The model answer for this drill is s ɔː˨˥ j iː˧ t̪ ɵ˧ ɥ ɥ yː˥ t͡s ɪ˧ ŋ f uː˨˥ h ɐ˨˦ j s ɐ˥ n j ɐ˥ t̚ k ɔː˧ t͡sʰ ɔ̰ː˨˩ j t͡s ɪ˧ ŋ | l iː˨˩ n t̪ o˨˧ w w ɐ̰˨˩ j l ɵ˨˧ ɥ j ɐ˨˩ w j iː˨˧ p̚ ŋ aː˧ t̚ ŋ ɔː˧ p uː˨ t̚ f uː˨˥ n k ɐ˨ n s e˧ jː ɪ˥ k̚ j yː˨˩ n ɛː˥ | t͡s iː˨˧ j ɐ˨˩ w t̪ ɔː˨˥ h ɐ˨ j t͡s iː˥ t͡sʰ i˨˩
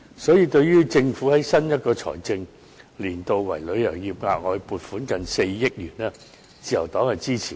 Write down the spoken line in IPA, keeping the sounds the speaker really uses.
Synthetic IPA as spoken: s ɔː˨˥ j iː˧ t̪ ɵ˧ ɥ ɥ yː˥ t͡s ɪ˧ ŋ f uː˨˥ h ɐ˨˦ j s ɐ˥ n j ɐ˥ t̚ k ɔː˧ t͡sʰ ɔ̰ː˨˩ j t͡s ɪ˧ ŋ | l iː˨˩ n t̪ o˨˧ w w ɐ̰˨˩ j l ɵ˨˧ ɥ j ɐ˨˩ w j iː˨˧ p̚ ŋ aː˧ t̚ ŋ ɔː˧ p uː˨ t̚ f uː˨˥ n k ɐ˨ n s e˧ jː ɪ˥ k̚ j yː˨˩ n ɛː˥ | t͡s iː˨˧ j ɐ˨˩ w t̪ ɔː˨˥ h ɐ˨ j t͡s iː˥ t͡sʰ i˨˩